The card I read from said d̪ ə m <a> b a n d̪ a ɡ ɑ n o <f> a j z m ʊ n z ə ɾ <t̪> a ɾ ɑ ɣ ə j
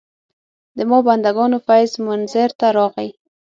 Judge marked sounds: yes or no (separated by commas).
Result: no, yes, yes